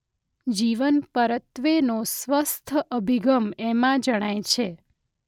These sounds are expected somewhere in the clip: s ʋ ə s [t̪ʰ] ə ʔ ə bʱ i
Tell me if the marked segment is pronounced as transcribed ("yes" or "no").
yes